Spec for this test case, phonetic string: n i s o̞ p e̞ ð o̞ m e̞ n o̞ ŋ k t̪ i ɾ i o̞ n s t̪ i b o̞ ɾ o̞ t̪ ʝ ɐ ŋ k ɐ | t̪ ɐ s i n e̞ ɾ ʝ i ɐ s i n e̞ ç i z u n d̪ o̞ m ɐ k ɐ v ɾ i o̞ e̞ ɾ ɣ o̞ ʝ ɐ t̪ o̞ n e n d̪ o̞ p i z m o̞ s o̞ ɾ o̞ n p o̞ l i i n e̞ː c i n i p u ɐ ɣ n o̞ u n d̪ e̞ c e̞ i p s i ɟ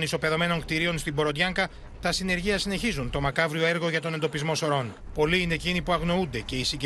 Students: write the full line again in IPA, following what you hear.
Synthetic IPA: n i s o̞ p e̞ ð o̞ m e̞ n o̞ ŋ k t̪ i ɾ i o̞ n s t̪ i b o̞ ɾ o̞ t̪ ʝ ɐ ŋ k ɐ | t̪ ɐ s i n e̞ ɾ ʝ i ɐ s i n e̞ ç i z u n t̪ o̞ m ɐ k ɐ v ɾ i o̞ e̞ ɾ ɣ o̞ ʝ ɐ t̪ o̞ n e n d̪ o̞ p i z m o̞ s o̞ ɾ o̞ n p o̞ l i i n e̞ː c i n i p u ɐ ɣ n o̞ u n d̪ e̞ c e̞ i s i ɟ